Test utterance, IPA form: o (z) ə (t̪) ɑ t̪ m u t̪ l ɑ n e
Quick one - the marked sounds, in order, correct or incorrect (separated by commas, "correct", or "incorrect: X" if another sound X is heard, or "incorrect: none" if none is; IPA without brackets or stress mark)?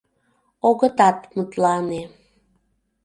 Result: incorrect: ɣ, correct